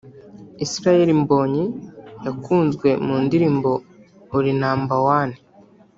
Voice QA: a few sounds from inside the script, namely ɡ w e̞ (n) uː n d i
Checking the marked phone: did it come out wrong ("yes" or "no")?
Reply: yes